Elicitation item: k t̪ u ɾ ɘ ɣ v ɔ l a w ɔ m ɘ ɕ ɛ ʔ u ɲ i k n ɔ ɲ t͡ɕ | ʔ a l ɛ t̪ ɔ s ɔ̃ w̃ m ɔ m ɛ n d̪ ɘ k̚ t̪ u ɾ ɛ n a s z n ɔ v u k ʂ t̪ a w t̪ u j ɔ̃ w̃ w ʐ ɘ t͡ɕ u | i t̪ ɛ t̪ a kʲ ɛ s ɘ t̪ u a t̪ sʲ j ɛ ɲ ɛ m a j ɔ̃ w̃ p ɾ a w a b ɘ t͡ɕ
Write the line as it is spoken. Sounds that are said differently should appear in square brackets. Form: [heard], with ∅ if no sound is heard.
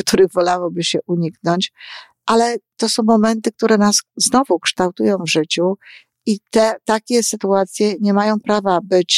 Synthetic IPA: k t̪ u ɾ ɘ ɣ v ɔ l a w ɔ [b] ɘ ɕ ɛ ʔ u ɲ i k n ɔ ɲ t͡ɕ | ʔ a l ɛ t̪ ɔ s ɔ̃ w̃ m ɔ m ɛ n [t̪] ɘ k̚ t̪ u ɾ ɛ n a s z n ɔ v u k ʂ t̪ a w t̪ u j ɔ̃ w̃ [v] ʐ ɘ t͡ɕ u | i t̪ ɛ t̪ a kʲ ɛ s ɘ t̪ u a t̪ sʲ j ɛ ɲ ɛ m a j ɔ̃ w̃ p ɾ a [v] a b ɘ t͡ɕ